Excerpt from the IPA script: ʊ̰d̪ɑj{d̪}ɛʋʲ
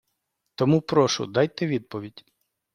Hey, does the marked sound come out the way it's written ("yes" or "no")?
no